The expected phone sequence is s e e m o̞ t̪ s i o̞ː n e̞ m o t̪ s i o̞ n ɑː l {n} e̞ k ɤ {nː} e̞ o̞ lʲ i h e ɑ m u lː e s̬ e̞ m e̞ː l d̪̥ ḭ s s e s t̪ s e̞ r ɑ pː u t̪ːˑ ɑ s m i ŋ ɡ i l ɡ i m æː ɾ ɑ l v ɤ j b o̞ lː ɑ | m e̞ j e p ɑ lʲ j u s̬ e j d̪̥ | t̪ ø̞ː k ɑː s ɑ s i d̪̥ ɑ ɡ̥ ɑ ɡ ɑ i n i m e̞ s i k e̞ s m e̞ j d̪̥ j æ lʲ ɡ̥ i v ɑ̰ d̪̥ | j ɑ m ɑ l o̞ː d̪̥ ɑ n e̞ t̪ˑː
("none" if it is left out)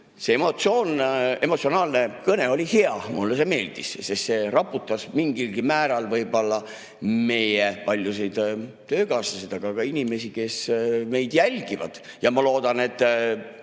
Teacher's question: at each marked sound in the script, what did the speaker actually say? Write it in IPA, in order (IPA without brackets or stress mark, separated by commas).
n, n